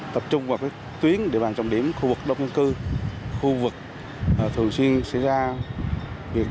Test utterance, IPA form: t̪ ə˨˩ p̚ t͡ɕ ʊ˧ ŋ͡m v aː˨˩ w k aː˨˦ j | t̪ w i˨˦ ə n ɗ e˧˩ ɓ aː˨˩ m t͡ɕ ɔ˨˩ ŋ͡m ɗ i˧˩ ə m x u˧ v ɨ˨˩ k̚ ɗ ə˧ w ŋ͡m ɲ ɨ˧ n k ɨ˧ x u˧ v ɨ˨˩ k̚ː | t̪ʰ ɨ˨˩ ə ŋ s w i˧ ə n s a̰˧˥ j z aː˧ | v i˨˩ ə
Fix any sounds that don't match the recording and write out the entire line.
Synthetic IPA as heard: t̪ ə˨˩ p̚ t͡ɕ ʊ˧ ŋ͡m v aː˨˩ w k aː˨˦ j | t̪ w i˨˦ ə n ɗ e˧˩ ɓ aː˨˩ n t͡ɕ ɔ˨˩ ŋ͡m ɗ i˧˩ ə m x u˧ v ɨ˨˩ k̚ ɗ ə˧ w ŋ͡m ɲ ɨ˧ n k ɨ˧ x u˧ v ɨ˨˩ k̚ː | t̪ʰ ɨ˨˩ ə ŋ s w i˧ ə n s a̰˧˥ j z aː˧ | v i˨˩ ə